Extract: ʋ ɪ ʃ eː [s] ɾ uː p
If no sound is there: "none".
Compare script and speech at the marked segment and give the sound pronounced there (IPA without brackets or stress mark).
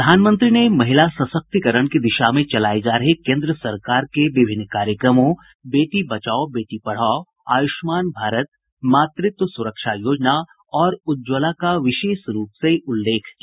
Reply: ʃ